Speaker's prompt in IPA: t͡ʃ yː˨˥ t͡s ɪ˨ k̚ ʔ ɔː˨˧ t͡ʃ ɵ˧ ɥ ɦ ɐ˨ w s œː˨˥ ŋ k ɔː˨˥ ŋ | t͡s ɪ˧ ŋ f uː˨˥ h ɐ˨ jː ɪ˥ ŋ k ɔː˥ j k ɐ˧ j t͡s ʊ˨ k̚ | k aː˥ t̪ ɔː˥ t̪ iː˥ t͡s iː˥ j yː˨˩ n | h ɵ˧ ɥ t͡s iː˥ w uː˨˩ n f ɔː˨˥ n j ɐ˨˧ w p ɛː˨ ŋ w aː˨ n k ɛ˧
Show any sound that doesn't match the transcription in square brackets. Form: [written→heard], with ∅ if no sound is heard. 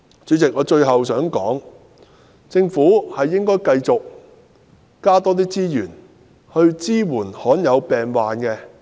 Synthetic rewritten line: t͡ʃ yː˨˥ t͡s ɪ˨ k̚ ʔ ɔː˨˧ t͡ʃ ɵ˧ ɥ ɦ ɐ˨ w s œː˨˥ ŋ k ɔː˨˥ ŋ | t͡s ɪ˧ ŋ f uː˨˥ h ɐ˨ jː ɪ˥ ŋ k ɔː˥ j k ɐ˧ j t͡s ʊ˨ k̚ | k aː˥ t̪ ɔː˥ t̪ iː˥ t͡s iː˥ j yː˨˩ n | h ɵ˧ ɥ t͡s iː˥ w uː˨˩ n [f→h] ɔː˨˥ n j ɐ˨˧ w p ɛː˨ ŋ w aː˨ n k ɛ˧